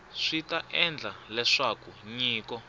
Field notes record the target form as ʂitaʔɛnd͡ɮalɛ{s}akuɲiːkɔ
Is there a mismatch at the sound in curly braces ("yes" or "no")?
yes